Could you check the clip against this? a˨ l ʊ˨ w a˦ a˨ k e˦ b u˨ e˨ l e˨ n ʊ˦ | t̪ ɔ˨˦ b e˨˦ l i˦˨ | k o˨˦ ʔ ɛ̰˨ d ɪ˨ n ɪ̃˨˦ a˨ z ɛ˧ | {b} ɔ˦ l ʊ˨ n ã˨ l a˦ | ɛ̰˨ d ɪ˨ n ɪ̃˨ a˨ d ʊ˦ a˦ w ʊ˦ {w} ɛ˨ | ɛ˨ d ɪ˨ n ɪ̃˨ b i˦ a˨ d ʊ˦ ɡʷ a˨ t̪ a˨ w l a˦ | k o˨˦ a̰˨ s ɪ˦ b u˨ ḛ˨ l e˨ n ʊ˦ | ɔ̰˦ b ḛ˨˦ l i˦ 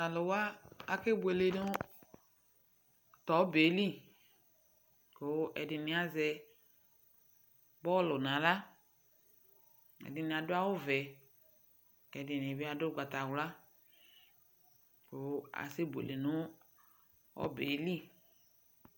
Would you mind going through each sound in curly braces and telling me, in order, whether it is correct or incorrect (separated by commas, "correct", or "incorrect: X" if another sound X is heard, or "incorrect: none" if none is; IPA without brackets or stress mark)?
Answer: correct, incorrect: v